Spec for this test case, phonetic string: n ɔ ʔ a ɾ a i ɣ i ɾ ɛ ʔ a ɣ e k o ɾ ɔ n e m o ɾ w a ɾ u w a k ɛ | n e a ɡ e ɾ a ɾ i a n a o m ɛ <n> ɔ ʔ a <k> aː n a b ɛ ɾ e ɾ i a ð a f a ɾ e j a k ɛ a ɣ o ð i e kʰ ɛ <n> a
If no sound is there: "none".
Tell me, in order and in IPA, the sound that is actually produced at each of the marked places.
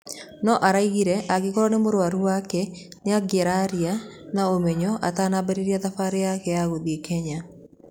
ɲ, t, ɲ

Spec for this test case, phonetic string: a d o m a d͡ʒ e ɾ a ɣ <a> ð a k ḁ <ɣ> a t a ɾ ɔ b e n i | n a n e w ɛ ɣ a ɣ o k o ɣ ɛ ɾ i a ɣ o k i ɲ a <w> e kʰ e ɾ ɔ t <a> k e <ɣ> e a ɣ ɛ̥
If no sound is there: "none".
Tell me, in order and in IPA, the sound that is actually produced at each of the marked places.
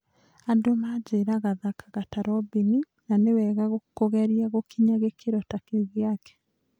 a, ɣ, ɣ, a, ɣ

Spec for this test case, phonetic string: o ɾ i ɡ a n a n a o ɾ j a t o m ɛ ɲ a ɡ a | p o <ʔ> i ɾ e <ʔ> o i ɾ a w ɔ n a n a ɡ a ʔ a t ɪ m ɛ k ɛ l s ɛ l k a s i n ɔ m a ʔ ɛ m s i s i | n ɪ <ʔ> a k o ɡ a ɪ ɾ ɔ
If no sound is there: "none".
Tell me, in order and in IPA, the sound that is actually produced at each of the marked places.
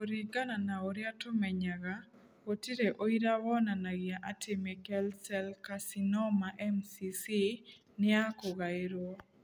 t, ʔ, none

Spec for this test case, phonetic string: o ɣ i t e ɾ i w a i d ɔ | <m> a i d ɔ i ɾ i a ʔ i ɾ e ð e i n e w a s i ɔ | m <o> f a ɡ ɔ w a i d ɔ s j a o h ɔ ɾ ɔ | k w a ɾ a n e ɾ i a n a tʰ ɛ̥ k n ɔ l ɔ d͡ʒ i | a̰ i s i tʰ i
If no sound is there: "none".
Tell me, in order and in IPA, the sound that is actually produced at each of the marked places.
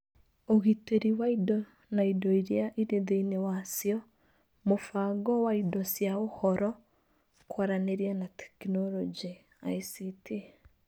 n, o

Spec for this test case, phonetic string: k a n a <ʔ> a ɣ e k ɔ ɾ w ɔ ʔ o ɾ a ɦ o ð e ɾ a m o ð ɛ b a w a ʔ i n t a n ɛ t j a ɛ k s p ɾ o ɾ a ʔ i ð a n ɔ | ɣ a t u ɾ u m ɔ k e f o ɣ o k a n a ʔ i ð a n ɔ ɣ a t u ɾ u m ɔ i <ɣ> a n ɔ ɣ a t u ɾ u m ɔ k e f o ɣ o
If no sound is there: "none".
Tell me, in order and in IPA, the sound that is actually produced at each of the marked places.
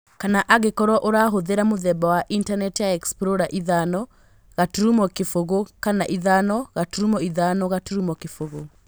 ʔ, ð

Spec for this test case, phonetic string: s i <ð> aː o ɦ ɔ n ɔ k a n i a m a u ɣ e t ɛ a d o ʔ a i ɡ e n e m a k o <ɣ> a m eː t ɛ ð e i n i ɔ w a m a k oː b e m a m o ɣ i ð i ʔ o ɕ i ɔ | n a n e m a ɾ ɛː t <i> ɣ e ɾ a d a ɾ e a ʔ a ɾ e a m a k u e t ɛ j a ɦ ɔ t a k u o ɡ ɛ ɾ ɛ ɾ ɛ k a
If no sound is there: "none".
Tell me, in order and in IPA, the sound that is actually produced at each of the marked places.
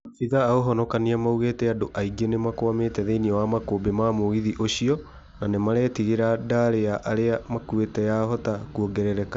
ð, none, i

